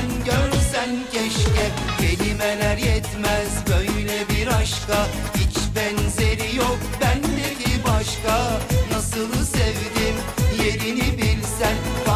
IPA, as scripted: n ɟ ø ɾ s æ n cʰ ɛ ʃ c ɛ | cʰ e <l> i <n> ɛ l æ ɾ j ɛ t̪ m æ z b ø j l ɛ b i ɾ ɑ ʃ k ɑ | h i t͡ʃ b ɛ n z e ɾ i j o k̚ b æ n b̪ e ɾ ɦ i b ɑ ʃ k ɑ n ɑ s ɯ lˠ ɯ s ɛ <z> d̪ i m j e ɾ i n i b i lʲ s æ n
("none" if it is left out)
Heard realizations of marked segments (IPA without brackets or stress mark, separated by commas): l, m, v